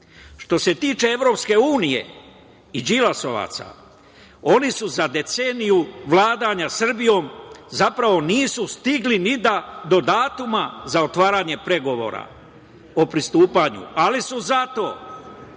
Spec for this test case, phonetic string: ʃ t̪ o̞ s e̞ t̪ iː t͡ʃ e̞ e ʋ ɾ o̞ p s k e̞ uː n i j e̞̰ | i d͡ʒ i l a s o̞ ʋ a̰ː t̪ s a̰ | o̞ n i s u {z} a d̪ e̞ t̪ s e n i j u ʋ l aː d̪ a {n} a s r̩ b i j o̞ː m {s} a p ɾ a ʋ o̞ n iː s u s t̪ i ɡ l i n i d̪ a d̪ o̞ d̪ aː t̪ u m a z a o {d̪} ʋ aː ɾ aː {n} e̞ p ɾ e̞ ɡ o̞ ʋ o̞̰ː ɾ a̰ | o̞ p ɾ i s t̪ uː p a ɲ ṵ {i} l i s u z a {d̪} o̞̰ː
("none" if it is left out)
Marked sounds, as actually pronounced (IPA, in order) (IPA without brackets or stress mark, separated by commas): z, ɲ, z, t̪, ɲ, a, t̪